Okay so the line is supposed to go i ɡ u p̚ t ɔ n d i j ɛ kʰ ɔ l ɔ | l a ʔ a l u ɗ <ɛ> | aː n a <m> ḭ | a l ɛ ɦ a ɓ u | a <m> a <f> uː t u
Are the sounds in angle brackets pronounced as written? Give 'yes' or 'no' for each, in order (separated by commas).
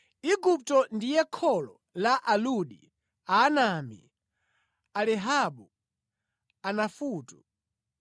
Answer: no, yes, no, yes